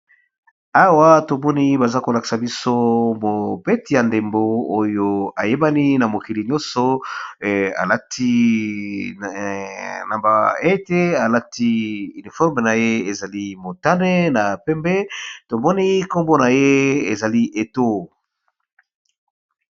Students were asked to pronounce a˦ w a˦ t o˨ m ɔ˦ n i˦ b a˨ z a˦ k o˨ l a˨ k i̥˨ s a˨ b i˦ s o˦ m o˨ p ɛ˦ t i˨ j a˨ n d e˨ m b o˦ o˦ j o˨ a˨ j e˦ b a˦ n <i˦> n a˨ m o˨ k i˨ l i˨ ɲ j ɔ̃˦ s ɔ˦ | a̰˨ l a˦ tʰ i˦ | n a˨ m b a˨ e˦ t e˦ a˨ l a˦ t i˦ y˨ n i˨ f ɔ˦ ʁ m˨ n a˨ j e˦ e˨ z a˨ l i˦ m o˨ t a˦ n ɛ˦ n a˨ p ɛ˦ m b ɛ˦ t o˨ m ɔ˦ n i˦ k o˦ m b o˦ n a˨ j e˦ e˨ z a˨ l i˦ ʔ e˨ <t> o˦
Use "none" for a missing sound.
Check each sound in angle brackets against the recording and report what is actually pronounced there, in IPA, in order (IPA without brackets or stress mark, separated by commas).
i˦, t